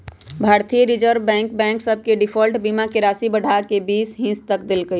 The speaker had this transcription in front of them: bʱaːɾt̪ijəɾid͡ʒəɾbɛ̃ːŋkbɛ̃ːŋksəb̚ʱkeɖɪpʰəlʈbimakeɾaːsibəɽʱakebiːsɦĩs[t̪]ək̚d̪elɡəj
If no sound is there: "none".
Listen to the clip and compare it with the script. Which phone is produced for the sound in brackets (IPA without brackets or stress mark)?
t̪